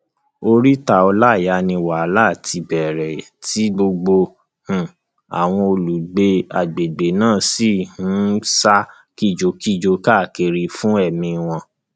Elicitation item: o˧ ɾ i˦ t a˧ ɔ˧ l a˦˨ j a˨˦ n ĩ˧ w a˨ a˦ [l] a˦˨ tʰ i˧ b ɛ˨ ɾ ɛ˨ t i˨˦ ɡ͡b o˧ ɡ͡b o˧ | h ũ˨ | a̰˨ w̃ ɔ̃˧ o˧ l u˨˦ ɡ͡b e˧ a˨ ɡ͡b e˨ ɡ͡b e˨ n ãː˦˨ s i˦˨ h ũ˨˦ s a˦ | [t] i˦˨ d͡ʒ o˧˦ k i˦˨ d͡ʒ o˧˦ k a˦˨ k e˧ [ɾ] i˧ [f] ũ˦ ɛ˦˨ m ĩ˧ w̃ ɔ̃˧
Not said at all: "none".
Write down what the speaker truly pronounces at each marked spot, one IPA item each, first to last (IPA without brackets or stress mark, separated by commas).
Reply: l, k, ɾ, f